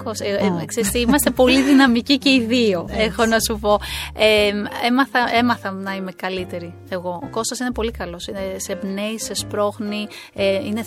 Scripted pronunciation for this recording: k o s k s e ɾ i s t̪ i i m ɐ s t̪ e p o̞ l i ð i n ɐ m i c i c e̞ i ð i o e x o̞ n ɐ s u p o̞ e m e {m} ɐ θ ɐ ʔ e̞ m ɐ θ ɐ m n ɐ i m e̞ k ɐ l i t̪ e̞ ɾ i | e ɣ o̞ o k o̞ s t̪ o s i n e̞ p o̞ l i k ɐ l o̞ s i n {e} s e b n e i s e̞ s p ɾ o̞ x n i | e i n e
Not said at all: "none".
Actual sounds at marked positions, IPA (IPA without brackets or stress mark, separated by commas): m, e